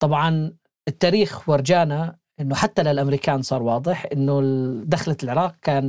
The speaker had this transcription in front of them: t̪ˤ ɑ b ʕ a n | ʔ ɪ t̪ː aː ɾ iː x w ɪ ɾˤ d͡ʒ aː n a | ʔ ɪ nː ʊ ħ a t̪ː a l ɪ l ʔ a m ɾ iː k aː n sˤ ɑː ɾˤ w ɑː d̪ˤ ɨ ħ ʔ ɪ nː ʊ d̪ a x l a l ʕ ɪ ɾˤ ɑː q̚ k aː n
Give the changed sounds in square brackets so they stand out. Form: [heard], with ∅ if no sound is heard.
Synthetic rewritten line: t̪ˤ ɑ b ʕ [ɑ] n | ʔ ɪ t̪ː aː ɾ iː x w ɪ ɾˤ d͡ʒ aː n a | ʔ ɪ nː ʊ ħ a t̪ː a l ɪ l ʔ a m ɾ iː k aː n sˤ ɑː ɾˤ w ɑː d̪ˤ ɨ ħ ʔ ɪ nː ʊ d̪ a x l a l ʕ ɪ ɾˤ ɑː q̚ k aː n